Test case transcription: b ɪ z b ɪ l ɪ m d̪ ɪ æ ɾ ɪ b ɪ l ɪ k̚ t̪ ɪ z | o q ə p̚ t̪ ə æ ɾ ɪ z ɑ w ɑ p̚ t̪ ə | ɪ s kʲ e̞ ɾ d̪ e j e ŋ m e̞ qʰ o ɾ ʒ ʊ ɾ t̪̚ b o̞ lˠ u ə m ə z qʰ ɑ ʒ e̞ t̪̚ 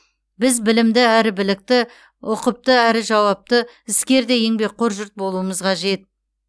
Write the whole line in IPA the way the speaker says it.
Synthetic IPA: b ɪ z b ɪ l ɪ m d̪ ɪ æ ɾ ɪ b ɪ l ɪ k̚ t̪ ɪ | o q ə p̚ t̪ ə æ ɾ ɪ ʒ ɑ w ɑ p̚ t̪ ə | ɪ s kʲ e̞ ɾ d̪ e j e ŋ b e̞ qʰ o ɾ ʒ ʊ ɾ t̪̚ b o̞ lˠ u ə m ə z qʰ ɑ ʒ e̞ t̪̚